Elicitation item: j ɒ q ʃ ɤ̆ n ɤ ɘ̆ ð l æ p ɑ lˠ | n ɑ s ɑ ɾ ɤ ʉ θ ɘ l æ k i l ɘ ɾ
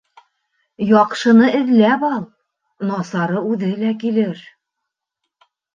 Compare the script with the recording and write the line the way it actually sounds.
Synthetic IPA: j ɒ q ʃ ɤ̆ n ɤ ɘ̆ ð l æ p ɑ lˠ | n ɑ s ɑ ɾ ɤ ʉ ð ɘ l æ k i l ɘ ɾ